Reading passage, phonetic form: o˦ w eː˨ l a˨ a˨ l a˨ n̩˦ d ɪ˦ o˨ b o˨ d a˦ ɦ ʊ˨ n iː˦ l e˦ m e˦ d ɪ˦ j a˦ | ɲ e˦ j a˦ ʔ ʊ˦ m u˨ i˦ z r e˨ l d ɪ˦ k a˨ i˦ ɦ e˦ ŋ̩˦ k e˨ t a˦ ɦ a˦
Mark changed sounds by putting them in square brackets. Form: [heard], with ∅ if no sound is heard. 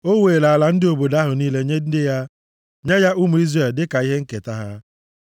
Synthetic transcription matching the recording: o˦ w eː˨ l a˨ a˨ l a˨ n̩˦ d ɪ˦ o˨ b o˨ d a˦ ɦ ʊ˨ n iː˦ l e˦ [ɲ] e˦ d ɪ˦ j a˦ | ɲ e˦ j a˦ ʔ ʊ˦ m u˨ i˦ z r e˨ l d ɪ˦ k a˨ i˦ ɦ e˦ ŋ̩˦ k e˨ t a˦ ɦ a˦

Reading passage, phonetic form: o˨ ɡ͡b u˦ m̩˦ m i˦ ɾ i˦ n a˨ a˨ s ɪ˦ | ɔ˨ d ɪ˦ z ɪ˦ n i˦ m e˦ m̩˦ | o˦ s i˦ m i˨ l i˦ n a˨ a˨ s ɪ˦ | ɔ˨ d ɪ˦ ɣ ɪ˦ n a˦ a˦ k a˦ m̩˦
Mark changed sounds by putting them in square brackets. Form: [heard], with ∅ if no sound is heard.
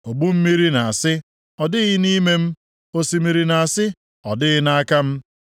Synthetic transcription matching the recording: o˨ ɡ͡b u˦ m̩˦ m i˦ ɾ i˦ n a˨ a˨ s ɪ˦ | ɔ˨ d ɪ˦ [ɣ] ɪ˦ n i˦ m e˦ m̩˦ | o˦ s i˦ m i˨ [ɾ] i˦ n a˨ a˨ s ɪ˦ | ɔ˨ d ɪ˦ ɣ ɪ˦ n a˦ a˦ k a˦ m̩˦

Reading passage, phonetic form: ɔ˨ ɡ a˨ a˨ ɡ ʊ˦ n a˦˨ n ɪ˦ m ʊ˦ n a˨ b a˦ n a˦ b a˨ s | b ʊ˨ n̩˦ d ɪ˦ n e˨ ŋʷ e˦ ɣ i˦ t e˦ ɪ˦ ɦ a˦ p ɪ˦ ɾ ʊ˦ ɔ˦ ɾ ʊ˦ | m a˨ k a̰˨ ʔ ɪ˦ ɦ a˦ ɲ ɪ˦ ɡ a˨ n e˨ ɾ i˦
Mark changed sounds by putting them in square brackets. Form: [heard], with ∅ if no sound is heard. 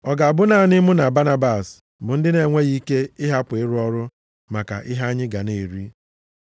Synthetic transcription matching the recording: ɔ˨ ɡ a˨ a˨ [b] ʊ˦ n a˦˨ n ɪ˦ m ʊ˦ n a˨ b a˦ n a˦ b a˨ s | b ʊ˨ n̩˦ d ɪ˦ n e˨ ŋʷ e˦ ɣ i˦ [k] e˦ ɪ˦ ɦ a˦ p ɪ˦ ɾ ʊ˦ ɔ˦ ɾ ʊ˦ | m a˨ k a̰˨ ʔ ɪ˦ ɦ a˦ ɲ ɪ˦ ɡ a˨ n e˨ ɾ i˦

